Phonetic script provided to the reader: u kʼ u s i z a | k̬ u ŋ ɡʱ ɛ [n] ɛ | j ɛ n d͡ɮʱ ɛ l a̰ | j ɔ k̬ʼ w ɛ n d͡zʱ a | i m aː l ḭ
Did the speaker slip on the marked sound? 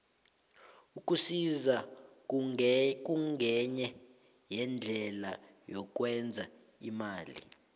yes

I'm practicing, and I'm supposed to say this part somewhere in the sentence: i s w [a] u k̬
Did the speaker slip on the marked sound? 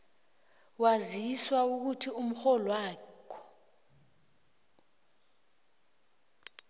no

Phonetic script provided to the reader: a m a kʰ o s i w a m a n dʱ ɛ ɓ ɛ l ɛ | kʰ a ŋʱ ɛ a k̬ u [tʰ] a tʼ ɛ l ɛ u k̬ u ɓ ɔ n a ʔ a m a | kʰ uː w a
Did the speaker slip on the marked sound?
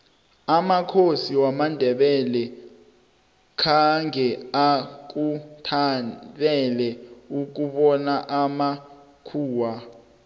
no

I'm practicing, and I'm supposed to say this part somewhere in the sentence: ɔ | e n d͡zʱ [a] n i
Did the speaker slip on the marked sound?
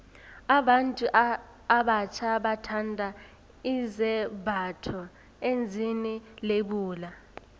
yes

